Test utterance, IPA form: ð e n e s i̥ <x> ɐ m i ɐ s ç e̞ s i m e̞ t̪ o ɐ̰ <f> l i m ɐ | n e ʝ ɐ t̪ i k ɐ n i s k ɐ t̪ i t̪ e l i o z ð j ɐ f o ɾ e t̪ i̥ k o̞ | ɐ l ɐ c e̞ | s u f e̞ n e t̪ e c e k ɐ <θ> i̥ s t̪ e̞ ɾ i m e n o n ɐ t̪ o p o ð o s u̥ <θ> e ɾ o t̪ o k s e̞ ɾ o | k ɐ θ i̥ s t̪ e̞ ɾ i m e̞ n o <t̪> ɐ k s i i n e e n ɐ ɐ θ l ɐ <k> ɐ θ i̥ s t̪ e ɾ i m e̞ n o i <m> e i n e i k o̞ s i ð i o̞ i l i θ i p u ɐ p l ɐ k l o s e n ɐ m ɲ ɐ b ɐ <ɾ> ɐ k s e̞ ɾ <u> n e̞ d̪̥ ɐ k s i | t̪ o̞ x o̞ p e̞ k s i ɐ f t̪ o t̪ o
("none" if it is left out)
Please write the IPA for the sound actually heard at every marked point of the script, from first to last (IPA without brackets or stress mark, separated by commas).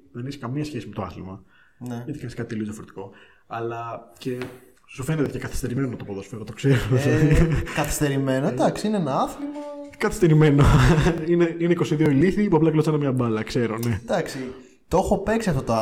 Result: k, θ, θ, f, d̪, k, n, l, o